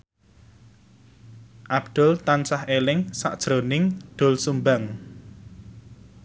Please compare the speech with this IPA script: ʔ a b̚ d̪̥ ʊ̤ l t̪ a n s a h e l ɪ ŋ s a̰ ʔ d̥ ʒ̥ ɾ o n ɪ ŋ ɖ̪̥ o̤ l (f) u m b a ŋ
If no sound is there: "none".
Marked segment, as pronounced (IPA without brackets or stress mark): s